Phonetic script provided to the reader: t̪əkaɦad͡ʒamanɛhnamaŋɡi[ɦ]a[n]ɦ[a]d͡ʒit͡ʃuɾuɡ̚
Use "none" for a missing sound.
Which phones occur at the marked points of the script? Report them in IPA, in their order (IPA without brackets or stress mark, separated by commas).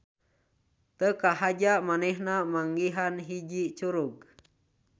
ɦ, n, i